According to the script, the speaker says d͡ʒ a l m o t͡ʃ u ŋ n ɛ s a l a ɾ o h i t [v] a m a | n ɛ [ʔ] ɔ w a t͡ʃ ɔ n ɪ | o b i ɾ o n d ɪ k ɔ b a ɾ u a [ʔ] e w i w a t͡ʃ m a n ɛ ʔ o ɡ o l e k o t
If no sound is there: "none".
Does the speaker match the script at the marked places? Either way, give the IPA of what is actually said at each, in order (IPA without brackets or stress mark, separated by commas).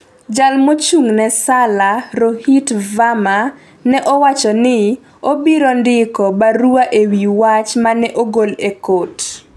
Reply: v, ʔ, ʔ